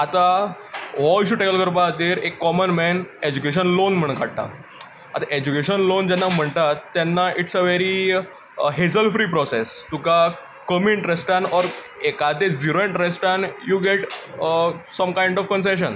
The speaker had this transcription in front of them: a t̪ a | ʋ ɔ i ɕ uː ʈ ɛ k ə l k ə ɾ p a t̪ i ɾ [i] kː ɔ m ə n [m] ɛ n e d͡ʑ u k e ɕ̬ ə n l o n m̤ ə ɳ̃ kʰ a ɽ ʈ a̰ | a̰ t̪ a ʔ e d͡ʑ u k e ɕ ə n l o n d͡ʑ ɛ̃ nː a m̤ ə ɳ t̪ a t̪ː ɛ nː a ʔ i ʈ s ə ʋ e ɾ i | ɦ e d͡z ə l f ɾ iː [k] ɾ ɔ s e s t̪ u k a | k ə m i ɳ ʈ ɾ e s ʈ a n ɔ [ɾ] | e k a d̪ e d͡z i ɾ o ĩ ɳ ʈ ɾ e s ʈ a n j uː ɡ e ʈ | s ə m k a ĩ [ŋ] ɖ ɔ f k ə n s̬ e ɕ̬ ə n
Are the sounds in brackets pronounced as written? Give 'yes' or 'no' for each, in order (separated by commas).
no, yes, no, yes, no